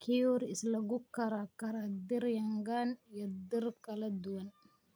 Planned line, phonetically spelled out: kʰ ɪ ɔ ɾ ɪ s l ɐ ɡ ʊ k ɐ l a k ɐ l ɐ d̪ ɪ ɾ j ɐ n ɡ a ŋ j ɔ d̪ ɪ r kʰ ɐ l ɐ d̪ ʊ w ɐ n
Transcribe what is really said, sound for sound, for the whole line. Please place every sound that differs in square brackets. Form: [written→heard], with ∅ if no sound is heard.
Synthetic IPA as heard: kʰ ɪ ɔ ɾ ɪ s l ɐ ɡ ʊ k ɐ [l→ɾ] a k ɐ [l→ɾ] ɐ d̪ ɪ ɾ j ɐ [n→ŋ] ɡ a [ŋ→n] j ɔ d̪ ɪ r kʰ ɐ l ɐ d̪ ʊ w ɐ n